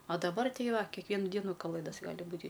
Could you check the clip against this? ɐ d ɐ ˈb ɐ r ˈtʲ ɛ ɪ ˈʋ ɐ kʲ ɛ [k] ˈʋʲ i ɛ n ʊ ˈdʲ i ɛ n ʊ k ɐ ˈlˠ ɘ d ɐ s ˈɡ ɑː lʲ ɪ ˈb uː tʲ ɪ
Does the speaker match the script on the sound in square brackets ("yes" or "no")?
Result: yes